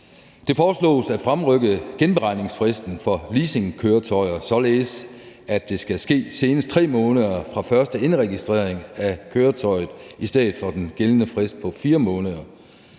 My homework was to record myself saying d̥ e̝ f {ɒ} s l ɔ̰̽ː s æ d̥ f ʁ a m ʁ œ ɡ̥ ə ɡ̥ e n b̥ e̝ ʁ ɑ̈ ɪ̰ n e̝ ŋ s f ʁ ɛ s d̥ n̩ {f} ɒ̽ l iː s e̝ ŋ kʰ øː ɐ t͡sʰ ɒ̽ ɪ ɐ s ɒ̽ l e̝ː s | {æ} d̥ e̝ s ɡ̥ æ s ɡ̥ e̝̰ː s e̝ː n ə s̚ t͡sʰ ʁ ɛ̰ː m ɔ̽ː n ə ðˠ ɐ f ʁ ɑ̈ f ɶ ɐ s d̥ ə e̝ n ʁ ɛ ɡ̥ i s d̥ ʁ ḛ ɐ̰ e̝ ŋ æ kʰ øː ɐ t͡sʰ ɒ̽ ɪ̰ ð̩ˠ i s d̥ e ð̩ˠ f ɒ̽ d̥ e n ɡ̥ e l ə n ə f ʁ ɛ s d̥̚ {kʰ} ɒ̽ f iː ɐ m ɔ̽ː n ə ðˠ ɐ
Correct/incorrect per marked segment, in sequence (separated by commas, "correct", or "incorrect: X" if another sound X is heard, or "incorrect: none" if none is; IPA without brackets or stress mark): incorrect: ɒː, correct, correct, incorrect: pʰ